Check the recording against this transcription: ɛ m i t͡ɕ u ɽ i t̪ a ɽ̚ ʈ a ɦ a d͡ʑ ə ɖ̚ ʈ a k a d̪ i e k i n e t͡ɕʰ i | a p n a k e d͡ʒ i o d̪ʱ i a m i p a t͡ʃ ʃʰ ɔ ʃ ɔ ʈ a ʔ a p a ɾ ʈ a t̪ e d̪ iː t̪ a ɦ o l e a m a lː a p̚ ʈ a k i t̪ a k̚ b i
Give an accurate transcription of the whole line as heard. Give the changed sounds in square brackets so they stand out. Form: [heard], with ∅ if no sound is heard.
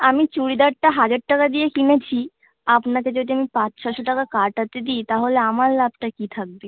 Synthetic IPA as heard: [a] m i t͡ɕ u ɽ i [d̪] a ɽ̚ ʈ a ɦ a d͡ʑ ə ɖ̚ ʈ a k a d̪ i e k i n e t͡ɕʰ i | a p n a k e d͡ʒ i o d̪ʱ i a m i p a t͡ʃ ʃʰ ɔ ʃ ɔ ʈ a [k] a [k] a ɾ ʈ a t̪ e d̪ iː t̪ a ɦ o l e a m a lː a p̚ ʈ a k i [t̪ʰ] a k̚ b i